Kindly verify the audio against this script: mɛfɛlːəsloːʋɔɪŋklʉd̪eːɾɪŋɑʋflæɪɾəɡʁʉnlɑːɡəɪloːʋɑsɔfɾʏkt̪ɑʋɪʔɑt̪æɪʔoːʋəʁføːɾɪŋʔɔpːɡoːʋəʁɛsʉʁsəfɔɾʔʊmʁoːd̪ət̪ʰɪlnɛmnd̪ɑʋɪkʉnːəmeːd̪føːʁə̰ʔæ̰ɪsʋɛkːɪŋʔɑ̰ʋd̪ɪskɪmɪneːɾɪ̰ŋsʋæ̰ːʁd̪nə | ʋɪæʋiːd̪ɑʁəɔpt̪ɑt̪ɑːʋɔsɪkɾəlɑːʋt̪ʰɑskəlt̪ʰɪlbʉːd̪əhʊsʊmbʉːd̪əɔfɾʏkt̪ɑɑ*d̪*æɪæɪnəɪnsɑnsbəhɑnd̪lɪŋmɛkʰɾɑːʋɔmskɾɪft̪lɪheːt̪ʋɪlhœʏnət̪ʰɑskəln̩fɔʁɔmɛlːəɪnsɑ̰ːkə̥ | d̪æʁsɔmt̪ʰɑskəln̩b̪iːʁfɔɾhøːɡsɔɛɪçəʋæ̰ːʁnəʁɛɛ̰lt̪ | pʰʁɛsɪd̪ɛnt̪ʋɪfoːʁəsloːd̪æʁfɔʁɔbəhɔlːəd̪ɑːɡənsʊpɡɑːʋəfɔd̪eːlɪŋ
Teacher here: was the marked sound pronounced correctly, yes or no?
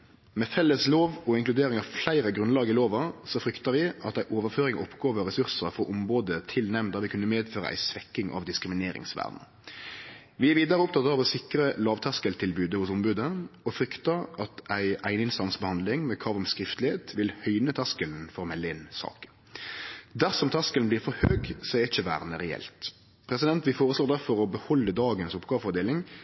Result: no